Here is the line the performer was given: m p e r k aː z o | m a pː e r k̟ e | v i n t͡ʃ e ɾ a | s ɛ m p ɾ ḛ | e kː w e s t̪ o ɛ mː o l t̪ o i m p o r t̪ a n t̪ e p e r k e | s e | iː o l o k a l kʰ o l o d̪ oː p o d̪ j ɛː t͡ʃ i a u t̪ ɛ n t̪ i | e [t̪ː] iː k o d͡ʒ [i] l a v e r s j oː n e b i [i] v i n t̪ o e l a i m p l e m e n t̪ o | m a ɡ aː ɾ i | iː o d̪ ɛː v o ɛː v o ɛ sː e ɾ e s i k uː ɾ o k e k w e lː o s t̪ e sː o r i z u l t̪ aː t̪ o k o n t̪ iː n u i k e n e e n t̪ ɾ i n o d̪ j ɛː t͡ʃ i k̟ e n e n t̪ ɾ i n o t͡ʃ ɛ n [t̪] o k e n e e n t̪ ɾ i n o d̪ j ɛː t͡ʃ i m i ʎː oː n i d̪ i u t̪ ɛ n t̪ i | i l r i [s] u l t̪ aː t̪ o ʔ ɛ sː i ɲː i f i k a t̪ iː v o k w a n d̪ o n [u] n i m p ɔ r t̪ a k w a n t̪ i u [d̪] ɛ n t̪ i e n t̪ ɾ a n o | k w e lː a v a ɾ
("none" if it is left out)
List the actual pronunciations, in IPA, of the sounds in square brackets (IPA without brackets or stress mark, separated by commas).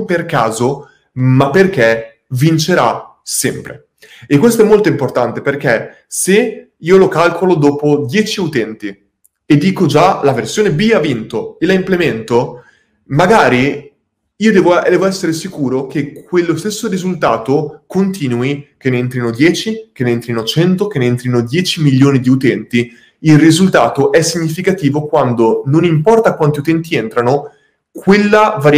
d̪ː, a, a, t̪, z, o, t̪